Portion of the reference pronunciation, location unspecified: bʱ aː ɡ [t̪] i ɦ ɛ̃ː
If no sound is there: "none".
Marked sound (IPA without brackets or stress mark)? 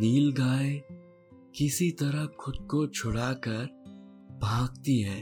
t̪